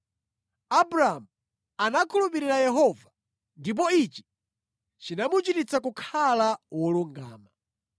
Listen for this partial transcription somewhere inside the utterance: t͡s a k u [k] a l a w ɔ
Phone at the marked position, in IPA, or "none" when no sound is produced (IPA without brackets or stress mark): kʰ